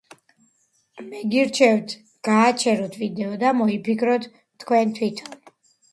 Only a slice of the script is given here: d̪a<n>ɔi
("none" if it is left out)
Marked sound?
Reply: m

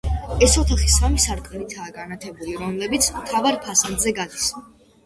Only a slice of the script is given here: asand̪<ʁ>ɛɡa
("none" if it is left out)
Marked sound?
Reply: z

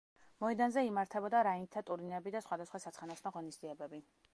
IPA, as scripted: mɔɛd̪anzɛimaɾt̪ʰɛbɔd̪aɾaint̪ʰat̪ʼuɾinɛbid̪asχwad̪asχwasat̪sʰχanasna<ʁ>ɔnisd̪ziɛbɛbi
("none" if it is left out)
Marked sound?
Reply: ʁ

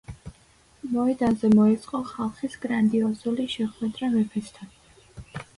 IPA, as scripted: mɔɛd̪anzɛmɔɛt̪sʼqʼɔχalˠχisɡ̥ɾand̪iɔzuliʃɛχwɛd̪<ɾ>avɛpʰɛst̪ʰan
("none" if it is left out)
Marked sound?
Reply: ɾ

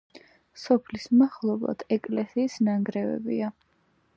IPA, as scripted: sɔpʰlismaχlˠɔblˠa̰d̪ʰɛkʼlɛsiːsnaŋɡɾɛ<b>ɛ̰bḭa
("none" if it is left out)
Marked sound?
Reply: v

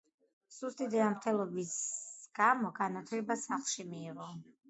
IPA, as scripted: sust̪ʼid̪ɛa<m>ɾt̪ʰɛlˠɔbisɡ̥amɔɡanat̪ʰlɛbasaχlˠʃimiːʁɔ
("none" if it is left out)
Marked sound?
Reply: m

